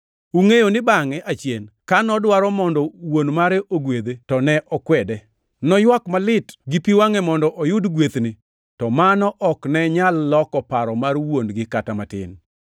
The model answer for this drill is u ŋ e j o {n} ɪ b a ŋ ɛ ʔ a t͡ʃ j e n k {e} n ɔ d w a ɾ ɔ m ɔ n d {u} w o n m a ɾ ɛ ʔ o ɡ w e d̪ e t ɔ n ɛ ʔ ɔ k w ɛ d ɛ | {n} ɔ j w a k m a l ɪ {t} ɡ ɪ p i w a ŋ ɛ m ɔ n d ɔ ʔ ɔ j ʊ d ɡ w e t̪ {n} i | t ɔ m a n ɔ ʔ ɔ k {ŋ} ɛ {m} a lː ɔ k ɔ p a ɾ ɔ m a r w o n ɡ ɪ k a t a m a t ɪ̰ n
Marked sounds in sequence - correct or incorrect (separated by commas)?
correct, incorrect, incorrect, correct, correct, correct, incorrect, incorrect